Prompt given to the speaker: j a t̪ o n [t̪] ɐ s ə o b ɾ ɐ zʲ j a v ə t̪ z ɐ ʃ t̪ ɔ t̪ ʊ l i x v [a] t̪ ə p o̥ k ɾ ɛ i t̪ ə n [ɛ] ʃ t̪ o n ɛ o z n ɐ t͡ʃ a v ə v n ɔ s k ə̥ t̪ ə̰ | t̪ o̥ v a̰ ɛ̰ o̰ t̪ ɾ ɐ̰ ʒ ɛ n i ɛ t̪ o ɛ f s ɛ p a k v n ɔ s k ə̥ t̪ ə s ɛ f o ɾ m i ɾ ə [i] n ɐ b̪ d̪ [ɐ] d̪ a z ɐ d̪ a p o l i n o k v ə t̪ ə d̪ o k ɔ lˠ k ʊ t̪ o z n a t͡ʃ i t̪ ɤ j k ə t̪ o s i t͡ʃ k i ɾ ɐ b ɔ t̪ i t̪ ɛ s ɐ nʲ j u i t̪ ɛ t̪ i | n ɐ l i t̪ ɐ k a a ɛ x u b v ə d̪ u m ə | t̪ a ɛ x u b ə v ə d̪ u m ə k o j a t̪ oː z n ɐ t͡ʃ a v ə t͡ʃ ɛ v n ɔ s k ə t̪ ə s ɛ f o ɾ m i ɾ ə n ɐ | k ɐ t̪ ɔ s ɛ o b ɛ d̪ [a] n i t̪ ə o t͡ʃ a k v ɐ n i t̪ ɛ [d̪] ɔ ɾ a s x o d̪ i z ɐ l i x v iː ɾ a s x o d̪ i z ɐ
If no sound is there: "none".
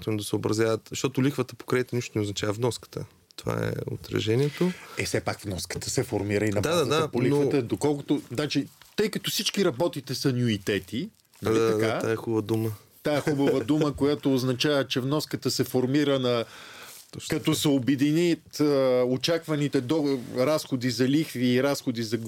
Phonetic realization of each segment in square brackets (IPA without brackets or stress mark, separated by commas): d̪, ə, i, i, a, i, d̪